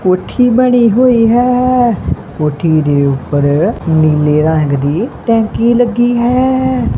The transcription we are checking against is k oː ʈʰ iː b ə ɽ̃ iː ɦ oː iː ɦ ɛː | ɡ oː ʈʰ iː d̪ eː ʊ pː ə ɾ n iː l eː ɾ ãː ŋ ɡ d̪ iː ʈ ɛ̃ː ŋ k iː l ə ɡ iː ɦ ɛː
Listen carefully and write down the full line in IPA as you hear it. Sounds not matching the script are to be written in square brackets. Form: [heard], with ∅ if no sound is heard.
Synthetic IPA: k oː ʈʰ iː b ə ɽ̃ iː ɦ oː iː ɦ ɛː | [k] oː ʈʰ iː d̪ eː ʊ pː ə ɾ n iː l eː ɾ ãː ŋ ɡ d̪ iː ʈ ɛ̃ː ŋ k iː l ə ɡ iː ɦ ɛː